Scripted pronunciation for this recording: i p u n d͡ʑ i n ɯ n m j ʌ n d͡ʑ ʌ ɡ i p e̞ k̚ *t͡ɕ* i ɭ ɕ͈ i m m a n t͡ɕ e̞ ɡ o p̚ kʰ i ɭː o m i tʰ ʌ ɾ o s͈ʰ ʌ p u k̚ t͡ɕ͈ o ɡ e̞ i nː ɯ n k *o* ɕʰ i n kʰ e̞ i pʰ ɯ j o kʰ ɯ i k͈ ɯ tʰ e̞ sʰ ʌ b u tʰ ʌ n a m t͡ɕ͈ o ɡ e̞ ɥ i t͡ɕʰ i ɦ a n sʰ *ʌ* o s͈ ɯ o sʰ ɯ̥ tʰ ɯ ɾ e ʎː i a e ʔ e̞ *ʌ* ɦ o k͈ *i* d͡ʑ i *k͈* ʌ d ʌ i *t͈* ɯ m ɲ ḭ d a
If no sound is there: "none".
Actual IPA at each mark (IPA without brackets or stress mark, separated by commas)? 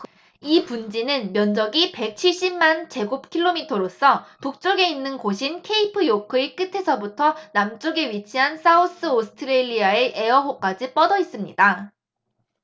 t͡ɕʰ, o, a, ʌ, a, p͈, s͈